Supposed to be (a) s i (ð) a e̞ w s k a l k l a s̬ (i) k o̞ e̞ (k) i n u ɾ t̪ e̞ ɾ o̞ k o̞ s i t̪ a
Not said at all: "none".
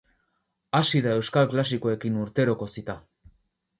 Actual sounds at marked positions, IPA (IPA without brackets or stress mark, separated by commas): a, ð, i, k